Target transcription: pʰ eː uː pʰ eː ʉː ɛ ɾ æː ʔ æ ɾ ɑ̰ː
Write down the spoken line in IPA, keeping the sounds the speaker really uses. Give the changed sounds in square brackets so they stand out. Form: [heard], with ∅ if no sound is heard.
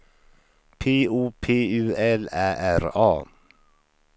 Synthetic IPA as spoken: pʰ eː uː pʰ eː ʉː ɛ [l] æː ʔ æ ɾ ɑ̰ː